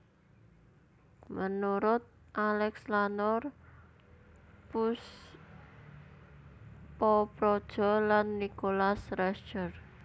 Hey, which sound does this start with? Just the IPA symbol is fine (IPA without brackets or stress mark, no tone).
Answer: m